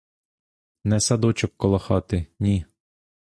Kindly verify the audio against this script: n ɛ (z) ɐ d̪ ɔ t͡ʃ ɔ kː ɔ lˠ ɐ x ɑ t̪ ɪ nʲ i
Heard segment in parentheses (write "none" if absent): s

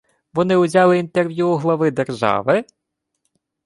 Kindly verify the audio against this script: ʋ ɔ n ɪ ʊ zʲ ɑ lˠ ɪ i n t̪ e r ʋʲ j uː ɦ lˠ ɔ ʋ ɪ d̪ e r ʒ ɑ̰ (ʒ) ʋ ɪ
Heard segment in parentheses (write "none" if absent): none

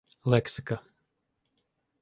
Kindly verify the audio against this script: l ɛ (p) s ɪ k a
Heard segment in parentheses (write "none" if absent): k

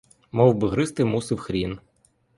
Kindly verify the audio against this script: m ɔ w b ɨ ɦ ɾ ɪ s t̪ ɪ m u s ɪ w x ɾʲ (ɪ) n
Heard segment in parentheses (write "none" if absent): i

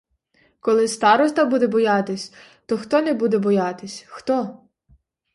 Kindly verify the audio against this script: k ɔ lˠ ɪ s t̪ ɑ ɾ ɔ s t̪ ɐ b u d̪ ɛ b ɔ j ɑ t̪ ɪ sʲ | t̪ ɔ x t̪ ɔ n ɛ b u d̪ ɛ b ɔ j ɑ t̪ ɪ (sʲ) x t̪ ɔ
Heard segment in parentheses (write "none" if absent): sʲ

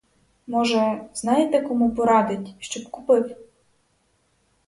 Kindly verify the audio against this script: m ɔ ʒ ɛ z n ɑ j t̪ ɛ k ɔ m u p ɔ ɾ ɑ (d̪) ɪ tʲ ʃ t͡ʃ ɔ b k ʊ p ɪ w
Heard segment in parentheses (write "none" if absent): d̪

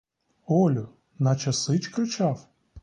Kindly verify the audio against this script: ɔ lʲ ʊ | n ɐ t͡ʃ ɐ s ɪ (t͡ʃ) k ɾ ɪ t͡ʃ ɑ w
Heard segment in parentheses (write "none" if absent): t͡ʃ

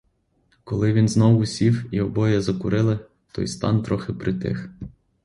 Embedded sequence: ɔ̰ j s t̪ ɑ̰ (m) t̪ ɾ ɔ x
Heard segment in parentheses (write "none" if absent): n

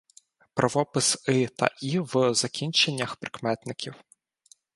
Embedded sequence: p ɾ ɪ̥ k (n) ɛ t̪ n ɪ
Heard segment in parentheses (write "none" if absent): m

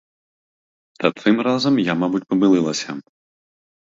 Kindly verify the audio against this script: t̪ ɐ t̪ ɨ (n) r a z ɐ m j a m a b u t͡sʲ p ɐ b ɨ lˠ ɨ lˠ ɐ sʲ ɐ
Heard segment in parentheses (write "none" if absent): m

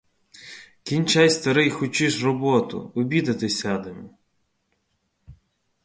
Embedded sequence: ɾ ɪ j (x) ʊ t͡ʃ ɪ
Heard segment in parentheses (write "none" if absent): x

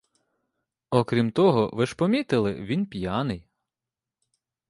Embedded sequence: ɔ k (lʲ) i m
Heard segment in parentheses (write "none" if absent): ɾʲ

